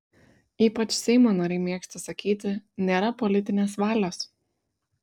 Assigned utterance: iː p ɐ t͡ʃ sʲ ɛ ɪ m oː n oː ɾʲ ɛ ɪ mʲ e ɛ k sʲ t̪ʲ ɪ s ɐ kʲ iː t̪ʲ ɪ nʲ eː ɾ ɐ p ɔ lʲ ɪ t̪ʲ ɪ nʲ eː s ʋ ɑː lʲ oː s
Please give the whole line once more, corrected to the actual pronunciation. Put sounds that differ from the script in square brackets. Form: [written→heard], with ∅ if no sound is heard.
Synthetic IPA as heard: iː p ɐ t͡ʃ sʲ ɛ ɪ m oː n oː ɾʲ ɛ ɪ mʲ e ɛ k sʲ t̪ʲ ɪ s ɐ kʲ iː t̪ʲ ɪ nʲ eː ɾ ɐ p ɔ lʲ ɪ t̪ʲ ɪ nʲ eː s ʋ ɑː lʲ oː s